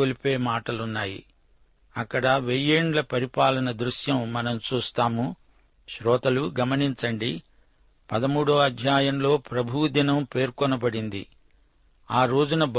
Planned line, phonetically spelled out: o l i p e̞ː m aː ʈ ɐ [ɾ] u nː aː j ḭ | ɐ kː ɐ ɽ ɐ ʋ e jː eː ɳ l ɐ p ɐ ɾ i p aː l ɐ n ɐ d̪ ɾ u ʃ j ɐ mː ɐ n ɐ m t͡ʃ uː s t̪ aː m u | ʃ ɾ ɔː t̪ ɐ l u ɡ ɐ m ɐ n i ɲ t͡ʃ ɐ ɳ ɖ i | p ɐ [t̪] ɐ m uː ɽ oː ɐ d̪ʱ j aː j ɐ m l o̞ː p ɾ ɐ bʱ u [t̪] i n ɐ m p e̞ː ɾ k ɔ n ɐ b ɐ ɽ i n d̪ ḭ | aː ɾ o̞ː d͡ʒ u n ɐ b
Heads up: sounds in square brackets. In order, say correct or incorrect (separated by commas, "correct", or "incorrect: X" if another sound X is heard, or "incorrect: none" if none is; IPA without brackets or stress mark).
incorrect: l, incorrect: d̪, incorrect: d̪